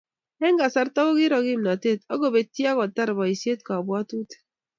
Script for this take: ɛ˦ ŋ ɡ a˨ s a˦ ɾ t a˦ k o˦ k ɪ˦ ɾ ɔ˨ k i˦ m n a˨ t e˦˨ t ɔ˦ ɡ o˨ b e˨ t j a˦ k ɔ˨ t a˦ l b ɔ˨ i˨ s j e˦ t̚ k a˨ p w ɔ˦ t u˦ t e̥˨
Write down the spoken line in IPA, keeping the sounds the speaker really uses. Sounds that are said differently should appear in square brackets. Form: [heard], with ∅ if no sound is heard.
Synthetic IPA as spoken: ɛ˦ ŋ ɡ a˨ s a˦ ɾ t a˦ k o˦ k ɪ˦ ɾ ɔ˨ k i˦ m n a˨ t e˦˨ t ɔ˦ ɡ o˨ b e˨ t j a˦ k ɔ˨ t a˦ [ɾ] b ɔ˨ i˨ s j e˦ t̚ k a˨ [b] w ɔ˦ t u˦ t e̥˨